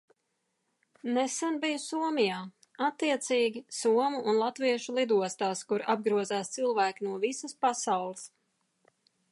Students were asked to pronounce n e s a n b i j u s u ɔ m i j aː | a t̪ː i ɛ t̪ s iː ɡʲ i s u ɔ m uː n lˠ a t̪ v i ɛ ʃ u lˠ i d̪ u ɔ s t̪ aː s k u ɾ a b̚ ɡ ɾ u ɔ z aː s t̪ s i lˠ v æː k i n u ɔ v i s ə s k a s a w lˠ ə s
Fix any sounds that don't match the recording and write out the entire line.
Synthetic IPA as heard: n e s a n b i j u s u ɔ m i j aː | a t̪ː i ɛ t̪ s iː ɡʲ i s u ɔ m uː n lˠ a t̪ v i ɛ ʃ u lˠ i d̪ u ɔ s t̪ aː s k u ɾ a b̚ ɡ ɾ u ɔ z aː s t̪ s i lˠ v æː k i n u ɔ v i s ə s p a s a w lˠ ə s